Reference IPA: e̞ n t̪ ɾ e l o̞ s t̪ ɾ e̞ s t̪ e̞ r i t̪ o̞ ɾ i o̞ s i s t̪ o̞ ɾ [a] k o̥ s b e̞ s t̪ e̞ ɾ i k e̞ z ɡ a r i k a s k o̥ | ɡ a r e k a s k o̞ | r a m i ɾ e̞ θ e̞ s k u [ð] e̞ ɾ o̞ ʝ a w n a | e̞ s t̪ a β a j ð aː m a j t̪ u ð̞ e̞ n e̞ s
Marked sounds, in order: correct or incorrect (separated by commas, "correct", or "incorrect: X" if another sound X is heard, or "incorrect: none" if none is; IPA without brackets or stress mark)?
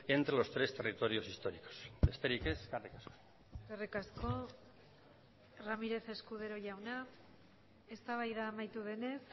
incorrect: i, correct